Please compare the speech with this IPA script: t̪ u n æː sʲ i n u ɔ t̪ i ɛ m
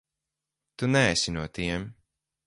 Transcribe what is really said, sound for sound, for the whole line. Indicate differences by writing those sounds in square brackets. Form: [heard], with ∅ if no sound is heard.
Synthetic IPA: t̪ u n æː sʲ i n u ɔ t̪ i ɛ m